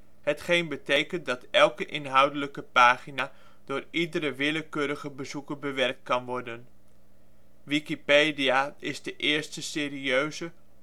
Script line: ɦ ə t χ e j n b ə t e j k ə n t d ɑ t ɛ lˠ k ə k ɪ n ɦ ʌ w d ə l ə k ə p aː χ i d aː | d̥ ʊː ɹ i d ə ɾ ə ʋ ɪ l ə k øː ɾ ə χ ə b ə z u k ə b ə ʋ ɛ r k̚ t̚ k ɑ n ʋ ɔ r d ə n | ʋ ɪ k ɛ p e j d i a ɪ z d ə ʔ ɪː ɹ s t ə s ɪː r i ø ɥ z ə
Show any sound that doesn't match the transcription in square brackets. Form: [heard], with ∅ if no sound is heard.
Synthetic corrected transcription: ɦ ə t χ e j n b ə t e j k ə n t d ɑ t ɛ lˠ k ə [ʔ] ɪ n ɦ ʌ w d ə l ə k ə p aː χ i [n] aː | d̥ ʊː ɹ i d ə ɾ ə ʋ ɪ l ə k øː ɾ ə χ ə b ə z u k ə b ə ʋ ɛ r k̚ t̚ k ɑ n ʋ ɔ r d ə n | ʋ [i] k [i] p e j d i a ɪ z d ə ʔ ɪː ɹ s t ə s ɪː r i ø ɥ z ə